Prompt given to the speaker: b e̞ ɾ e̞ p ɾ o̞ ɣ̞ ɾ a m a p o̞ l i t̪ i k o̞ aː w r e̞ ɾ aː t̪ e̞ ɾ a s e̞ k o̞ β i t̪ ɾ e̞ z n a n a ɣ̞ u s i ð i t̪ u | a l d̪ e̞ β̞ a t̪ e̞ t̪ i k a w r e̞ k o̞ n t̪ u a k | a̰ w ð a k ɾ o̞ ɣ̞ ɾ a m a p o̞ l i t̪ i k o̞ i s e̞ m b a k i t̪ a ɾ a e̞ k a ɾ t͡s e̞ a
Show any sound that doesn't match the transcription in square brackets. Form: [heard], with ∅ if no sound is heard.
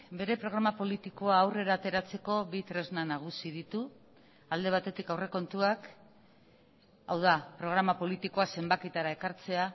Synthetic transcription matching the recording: b e̞ ɾ e̞ p ɾ o̞ ɣ̞ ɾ a m a p o̞ l i t̪ i k o̞ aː w r e̞ ɾ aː t̪ e̞ ɾ a [t͡s] e̞ k o̞ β i t̪ ɾ e̞ z n a n a ɣ̞ u s i ð i t̪ u | a l d̪ e̞ β̞ a t̪ e̞ t̪ i k a w r e̞ k o̞ n t̪ u a k | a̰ w ð a [p] ɾ o̞ ɣ̞ ɾ a m a p o̞ l i t̪ i k o̞ [a] s e̞ m b a k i t̪ a ɾ a e̞ k a ɾ t͡s e̞ a